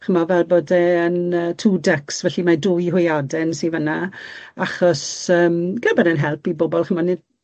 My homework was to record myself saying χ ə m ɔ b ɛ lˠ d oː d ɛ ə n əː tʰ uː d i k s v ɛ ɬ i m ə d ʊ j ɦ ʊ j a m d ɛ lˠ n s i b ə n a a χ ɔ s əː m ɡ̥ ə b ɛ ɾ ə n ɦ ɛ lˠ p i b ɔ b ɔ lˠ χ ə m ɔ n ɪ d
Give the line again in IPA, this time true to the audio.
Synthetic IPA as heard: χ ə m ɔ v ɛ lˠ b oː d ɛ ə n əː tʰ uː d ɛ k s v ɛ ɬ i m a d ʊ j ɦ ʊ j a d ɛ n s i v ə n a a χ ɔ s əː m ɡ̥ ə b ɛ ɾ ə n ɦ ɛ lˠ p i b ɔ b ɔ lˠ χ ə m ɔ n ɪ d